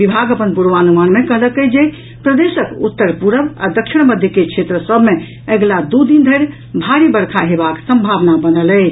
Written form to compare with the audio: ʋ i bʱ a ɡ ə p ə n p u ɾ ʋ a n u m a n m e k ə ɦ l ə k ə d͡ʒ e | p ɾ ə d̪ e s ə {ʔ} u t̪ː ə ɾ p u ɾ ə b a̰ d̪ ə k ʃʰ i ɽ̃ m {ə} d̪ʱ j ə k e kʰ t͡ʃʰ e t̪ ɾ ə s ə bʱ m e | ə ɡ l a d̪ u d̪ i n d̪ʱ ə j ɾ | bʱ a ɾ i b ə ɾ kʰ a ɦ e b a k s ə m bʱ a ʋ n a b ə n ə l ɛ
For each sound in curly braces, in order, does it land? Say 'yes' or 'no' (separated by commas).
no, yes